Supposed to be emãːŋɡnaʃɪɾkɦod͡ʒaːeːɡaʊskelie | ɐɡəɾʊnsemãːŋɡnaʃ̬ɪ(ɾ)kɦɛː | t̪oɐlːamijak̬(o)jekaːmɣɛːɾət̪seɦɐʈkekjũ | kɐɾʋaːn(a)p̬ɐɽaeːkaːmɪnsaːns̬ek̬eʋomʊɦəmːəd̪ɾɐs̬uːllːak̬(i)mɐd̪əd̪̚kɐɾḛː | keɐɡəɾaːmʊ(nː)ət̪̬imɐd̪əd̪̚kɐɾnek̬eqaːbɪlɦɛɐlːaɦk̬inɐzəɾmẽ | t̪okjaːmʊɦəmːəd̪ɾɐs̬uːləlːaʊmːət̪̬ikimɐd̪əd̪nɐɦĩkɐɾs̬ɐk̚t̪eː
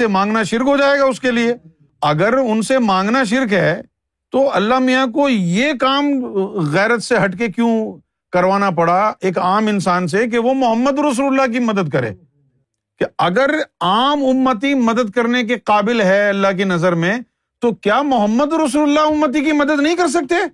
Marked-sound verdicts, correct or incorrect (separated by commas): correct, correct, correct, correct, incorrect